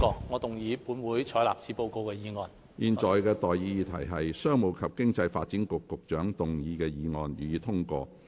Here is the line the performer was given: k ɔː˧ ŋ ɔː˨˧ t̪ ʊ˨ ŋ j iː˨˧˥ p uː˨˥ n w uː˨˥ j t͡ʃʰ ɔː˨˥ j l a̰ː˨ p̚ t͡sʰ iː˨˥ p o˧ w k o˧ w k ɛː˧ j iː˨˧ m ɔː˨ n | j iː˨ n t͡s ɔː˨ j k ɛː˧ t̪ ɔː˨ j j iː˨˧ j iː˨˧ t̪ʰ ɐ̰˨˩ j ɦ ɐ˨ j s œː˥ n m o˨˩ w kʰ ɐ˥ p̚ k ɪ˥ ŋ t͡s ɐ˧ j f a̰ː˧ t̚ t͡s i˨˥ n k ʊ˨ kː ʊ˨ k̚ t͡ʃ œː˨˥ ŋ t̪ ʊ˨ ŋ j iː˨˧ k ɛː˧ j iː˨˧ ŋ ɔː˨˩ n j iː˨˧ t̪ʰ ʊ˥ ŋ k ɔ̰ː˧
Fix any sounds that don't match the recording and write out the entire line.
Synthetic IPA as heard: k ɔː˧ ŋ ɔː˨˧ t̪ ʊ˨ ŋ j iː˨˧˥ p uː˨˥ n w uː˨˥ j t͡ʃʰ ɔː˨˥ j l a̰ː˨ p̚ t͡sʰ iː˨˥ p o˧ w k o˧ w k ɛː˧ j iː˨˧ ŋ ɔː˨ n | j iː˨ n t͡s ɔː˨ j k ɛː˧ t̪ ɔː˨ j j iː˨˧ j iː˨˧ t̪ʰ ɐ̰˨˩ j ɦ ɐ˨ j s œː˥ ŋ m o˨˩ w kʰ ɐ˨ p̚ k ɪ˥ ŋ t͡s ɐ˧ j f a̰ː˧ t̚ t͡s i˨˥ n k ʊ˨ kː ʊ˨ k̚ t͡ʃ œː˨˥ ŋ t̪ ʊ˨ ŋ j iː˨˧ k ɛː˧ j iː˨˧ ŋ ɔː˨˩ n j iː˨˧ t̪ʰ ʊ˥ ŋ k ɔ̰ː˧